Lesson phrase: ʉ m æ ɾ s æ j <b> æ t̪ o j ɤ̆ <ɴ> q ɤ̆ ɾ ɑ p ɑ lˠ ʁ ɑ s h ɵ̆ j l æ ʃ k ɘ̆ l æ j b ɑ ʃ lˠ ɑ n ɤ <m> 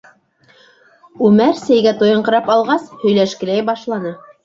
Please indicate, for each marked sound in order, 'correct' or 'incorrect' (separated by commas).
incorrect, correct, incorrect